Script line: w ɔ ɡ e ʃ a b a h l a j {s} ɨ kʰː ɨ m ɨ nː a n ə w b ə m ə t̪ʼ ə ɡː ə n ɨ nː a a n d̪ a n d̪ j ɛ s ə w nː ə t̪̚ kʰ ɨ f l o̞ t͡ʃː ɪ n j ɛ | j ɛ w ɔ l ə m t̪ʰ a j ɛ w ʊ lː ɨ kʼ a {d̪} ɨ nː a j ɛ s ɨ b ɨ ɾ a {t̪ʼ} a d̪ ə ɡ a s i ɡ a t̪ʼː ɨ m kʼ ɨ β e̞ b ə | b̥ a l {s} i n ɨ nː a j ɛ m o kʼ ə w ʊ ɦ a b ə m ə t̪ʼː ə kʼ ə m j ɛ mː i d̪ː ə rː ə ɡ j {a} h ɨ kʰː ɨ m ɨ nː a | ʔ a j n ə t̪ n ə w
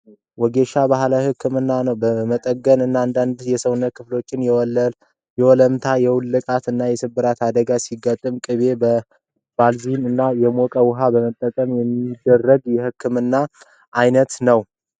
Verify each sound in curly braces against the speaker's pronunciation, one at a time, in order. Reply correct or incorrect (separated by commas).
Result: incorrect, incorrect, incorrect, incorrect, incorrect